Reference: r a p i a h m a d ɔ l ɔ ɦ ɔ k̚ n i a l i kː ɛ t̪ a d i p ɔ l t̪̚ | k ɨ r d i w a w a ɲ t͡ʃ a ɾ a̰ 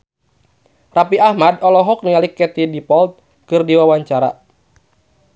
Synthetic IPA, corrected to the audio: r a p i a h m a d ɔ l ɔ ɦ ɔ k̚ n i a l i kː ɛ t̪ i d i p ɔ l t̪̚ | k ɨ r d i w a w a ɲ t͡ʃ a ɾ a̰